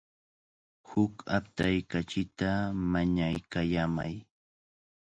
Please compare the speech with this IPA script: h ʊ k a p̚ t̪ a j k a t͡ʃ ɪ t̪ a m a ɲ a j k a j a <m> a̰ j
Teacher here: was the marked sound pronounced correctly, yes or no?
yes